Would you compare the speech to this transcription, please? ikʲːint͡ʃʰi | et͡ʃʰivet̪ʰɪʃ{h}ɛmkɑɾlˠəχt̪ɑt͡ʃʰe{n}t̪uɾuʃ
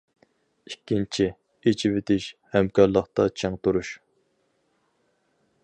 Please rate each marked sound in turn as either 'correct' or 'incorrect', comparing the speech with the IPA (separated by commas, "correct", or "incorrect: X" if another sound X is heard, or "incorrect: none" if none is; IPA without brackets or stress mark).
correct, incorrect: ŋ